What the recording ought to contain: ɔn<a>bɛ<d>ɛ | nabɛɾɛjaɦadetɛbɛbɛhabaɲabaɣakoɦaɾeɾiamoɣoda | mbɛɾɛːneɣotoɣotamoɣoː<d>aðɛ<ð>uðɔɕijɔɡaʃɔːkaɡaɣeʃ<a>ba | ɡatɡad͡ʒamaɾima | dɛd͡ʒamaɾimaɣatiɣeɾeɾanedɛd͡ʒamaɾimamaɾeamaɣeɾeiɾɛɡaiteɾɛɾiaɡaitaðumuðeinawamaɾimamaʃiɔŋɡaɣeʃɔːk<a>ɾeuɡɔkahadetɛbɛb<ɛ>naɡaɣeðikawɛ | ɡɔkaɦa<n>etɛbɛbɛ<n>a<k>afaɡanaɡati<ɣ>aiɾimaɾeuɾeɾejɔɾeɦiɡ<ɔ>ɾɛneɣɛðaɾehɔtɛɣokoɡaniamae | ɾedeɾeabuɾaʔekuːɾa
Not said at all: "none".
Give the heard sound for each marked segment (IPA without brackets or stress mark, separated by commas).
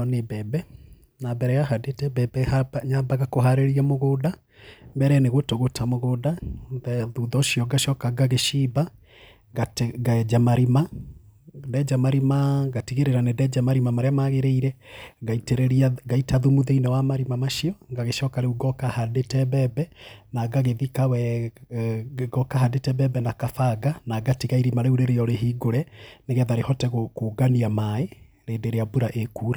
e, b, d, ð, i, a, ɛ, d, n, k, ɣ, o